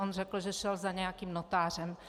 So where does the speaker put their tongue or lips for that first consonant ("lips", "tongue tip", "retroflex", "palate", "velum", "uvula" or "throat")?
tongue tip